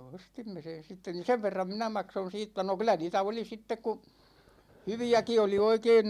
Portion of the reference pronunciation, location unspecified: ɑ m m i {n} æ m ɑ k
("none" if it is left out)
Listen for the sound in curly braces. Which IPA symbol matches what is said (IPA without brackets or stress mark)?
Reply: n